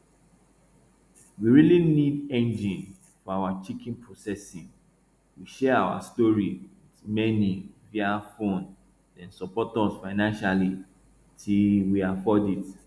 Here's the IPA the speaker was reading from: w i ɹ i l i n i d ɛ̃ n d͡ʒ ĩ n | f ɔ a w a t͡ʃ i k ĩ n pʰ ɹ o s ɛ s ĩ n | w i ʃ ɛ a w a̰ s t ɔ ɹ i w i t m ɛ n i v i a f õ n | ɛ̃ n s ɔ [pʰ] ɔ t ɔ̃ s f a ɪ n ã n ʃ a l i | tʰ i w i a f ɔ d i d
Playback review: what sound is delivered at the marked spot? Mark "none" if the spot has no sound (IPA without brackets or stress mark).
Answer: p